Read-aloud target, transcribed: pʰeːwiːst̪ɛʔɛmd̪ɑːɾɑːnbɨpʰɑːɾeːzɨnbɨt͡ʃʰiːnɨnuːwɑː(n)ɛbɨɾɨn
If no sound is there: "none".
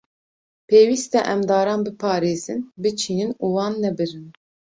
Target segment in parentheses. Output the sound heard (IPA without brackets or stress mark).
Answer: nː